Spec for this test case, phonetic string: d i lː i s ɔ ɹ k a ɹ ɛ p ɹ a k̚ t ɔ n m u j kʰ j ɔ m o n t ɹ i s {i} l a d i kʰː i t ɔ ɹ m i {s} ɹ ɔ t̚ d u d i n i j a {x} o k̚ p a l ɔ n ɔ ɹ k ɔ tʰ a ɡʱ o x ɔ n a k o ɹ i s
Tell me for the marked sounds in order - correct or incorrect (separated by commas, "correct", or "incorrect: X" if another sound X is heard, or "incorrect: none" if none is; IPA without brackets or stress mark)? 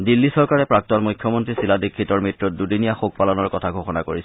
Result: correct, incorrect: t, correct